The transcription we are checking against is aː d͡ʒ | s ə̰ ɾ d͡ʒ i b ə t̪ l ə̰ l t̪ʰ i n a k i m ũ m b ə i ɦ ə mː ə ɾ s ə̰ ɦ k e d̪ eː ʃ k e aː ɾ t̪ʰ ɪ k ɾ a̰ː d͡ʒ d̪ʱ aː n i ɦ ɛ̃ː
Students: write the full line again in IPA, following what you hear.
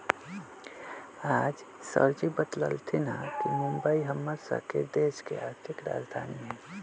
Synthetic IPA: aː d͡ʒ | s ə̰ ɾ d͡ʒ i b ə t̪ l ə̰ l t̪ʰ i n a k i m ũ m b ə i ɦ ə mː ə ɾ s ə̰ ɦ k e d̪ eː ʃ k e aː ɾ t̪ʰ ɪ k ɾ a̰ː d͡ʒ d̪ʱ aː n i ɦ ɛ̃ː